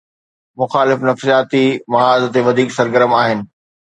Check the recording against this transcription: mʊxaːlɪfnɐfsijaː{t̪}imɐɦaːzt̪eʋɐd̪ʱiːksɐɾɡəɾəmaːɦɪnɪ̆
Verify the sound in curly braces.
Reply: correct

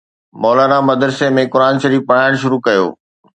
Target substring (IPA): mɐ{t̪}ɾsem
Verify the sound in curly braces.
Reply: incorrect: d̪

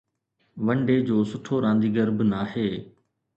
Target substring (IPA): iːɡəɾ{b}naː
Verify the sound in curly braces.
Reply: correct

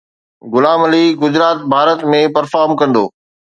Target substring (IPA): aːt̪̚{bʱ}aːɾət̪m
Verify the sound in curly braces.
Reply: correct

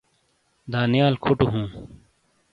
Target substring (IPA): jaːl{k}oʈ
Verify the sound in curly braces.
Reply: incorrect: kʰ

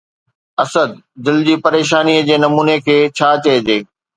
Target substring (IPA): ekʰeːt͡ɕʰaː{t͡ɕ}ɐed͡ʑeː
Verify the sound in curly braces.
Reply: correct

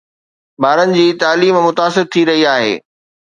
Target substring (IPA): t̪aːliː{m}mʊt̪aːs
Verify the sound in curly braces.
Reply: correct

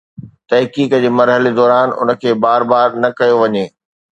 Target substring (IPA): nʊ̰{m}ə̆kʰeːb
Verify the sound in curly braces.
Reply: incorrect: n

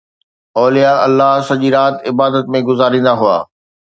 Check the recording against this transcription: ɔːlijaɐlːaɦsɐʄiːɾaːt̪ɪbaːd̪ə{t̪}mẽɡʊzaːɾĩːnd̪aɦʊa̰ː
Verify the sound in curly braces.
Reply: correct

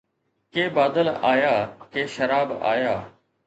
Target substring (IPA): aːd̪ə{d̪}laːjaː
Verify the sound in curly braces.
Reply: incorrect: none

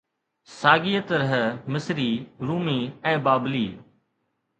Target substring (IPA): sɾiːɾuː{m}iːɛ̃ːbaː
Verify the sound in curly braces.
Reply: correct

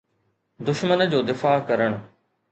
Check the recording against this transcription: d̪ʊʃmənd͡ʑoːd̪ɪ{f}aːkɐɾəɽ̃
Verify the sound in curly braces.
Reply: correct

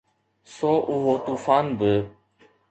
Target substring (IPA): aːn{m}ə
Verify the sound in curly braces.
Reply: incorrect: b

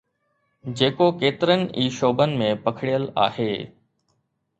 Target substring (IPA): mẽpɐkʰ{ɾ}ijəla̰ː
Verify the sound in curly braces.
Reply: incorrect: ɽ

